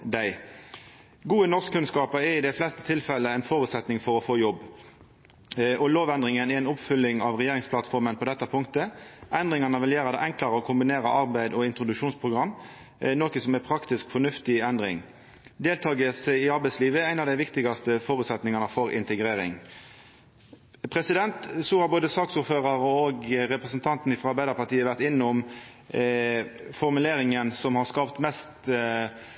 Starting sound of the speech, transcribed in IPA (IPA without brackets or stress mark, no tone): d̪